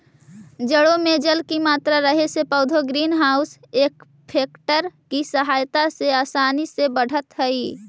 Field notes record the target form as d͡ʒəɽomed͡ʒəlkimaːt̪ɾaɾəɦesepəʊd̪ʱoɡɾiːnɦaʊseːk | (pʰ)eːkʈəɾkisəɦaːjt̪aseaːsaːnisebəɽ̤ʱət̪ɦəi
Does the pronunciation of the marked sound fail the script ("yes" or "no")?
no